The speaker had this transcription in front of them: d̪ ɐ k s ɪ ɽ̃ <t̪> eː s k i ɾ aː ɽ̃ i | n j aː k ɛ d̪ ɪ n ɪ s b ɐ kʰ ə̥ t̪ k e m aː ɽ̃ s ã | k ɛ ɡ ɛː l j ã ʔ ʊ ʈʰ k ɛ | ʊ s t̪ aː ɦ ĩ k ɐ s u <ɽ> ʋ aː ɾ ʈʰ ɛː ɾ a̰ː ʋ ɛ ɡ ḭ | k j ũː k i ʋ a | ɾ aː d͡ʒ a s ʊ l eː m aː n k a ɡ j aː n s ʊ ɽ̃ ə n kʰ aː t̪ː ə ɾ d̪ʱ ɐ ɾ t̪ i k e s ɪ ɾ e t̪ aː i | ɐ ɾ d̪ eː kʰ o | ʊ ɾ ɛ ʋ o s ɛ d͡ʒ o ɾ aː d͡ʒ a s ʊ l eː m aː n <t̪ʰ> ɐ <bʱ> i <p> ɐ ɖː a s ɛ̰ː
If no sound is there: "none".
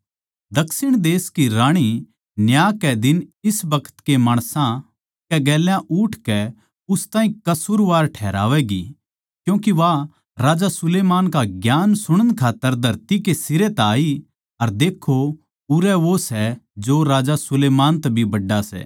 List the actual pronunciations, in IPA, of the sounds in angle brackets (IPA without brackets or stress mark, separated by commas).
d̪, ɾ, t̪, bʱ, b